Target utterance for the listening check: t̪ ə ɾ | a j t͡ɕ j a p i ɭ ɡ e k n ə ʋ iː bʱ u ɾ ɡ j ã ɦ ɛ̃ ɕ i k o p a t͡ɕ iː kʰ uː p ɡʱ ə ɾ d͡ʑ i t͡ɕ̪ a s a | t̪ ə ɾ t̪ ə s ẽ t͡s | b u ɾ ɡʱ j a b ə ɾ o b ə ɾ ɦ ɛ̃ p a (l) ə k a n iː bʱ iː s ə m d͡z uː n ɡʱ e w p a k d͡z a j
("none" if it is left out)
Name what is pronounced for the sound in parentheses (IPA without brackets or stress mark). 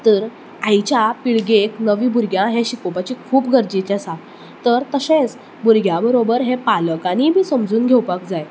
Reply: l